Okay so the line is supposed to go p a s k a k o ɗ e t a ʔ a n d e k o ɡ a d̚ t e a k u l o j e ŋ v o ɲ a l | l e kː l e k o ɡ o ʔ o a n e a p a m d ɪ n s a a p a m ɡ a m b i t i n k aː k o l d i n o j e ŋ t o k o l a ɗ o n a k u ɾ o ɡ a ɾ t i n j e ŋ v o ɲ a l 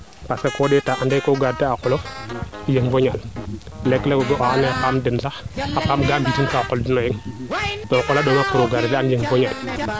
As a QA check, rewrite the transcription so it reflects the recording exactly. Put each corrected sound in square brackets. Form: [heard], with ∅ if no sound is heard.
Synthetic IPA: p a s k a k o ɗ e t a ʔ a n d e k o ɡ a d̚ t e a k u l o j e ŋ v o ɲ a l | l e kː l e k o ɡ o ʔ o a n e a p a m d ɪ n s a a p a m ɡ a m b i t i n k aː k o l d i n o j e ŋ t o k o l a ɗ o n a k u ɾ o ɡ a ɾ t [a] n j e ŋ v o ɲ a l

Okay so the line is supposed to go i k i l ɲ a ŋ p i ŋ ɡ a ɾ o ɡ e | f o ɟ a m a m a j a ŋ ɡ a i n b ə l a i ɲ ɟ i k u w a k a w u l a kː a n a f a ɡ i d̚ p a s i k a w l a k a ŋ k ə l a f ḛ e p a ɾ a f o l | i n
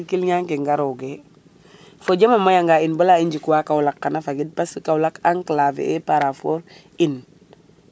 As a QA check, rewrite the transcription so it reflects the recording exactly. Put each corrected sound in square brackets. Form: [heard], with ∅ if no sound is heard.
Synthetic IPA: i k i l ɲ a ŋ [k] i ŋ ɡ a ɾ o ɡ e | f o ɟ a m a m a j a ŋ ɡ a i n b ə l a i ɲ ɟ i k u w a k a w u l a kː a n a f a ɡ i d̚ p a s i k a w l a k a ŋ k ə l a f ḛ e p a ɾ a f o [ɾ] | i n

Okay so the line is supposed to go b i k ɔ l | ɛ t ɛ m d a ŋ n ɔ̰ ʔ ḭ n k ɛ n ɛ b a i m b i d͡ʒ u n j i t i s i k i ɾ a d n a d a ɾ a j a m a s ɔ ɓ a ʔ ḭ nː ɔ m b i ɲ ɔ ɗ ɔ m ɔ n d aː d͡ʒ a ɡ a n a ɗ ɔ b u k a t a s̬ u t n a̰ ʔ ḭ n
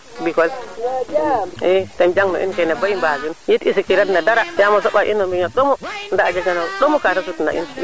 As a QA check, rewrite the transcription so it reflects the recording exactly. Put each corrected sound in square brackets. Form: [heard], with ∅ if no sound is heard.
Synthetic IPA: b i k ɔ l | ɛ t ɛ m [d͡ʒ] a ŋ n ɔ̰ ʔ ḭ n k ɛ n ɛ b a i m b [a] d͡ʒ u n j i t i s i k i ɾ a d n a d a ɾ a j a m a s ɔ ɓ a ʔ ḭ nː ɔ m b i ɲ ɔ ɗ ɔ m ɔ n d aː d͡ʒ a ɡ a n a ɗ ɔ [m] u k a t a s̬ u t n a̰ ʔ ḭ n

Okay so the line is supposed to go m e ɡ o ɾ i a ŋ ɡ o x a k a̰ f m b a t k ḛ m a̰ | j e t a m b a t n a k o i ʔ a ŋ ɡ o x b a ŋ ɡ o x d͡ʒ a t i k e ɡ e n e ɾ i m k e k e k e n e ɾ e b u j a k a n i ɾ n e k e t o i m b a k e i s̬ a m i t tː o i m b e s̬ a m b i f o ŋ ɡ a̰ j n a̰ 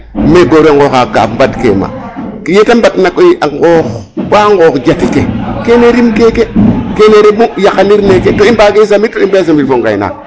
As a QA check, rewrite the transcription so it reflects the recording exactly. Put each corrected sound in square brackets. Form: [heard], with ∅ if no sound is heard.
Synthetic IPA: m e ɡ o ɾ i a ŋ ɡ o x a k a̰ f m b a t k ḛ m a̰ | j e t a m b a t n a k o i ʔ a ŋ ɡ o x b a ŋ ɡ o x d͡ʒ a t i k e [k] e n e ɾ i m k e k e k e n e ɾ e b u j a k a n i ɾ n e k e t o i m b a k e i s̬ a m i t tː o i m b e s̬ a m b i f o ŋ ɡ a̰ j n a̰

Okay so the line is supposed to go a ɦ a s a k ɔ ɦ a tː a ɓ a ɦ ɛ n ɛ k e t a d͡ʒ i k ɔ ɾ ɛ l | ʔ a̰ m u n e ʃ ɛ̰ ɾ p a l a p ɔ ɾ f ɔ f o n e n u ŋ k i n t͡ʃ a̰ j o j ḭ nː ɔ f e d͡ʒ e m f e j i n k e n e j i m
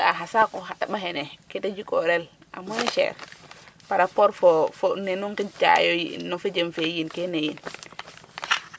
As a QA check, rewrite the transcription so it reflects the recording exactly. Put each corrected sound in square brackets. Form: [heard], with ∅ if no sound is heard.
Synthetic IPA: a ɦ a s a k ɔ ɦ a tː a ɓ a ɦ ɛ n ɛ k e t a d͡ʒ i k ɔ ɾ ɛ l | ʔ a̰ m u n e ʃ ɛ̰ ɾ p a [ɾ] a p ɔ ɾ f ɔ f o n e n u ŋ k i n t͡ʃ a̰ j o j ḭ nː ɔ f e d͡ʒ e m f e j i n k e n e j i [n]

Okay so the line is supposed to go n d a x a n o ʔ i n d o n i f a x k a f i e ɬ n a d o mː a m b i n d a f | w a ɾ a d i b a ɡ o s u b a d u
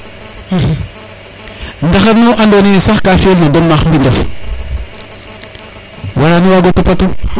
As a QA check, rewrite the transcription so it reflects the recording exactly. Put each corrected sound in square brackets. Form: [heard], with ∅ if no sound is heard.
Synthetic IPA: n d a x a n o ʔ [a] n d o n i [s] a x k a f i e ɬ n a d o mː a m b i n d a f | w a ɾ a [n] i [w] a ɡ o [t] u [p] a [t] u

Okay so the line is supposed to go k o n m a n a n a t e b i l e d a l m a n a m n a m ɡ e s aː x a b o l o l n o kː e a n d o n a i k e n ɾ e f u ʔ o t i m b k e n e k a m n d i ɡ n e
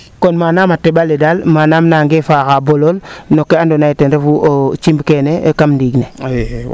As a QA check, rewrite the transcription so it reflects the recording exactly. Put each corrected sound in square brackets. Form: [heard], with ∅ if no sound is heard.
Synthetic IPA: k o n m a n a [m] a t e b [a] l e d a l m a n a m n a [ŋ] ɡ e [f] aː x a b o l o l n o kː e a n d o n a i [t] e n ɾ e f u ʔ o [t͡ʃ] i m b k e n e k a m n d i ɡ n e

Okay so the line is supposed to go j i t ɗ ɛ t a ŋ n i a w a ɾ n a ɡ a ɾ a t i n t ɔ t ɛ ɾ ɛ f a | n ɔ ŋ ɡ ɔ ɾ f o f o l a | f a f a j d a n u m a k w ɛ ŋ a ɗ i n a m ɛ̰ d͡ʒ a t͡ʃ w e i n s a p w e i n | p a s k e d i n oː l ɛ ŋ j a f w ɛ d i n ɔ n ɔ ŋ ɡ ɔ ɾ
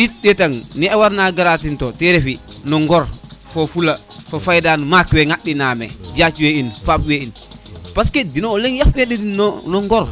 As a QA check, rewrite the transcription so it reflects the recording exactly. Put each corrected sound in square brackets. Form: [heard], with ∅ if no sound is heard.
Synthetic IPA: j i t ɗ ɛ t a ŋ n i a w a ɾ n a ɡ a ɾ a t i n t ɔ t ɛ ɾ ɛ f [i] | n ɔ ŋ ɡ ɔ ɾ f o f [u] l a | f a f a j d a n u m a k w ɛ ŋ a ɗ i n a m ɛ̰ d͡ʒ a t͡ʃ w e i n [f] a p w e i n | p a s k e d i n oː l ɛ ŋ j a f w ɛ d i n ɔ n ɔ ŋ ɡ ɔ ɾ

